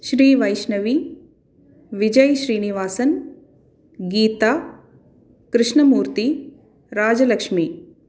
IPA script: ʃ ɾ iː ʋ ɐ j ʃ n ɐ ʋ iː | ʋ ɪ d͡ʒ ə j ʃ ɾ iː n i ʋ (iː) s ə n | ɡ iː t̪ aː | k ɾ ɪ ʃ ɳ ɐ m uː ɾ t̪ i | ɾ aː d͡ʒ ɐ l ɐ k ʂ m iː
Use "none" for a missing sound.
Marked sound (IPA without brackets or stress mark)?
aː